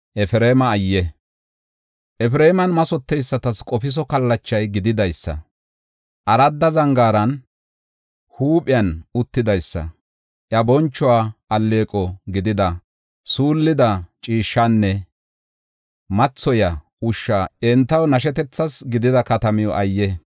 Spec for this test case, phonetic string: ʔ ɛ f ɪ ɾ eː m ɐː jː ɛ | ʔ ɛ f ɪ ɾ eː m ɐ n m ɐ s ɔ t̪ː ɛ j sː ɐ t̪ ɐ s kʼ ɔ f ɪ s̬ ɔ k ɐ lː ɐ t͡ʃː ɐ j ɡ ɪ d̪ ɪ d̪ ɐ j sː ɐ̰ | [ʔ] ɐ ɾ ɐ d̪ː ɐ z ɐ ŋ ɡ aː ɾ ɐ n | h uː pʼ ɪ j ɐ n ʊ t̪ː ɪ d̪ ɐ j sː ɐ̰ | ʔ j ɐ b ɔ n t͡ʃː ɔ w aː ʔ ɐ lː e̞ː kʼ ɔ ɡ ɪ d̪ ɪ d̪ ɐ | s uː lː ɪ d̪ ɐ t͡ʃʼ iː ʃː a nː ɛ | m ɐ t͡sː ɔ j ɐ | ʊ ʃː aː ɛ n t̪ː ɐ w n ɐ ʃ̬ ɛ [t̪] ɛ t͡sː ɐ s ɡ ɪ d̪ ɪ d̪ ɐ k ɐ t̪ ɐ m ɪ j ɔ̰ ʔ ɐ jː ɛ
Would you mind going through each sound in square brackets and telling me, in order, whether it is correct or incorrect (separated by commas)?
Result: correct, correct